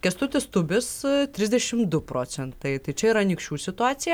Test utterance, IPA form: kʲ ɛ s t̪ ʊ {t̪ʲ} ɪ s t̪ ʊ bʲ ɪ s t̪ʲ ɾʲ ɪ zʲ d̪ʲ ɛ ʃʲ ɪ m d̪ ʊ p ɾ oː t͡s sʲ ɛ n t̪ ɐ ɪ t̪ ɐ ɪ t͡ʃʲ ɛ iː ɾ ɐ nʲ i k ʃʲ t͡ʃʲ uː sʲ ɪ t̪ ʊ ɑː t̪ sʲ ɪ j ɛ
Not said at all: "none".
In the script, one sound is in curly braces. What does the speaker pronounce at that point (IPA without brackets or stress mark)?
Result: t̪ʲ